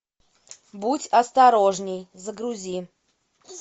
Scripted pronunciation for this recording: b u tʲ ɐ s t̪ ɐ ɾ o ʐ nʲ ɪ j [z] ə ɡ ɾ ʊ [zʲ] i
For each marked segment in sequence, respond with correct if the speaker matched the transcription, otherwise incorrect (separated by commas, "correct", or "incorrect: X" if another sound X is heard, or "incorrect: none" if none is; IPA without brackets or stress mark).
correct, correct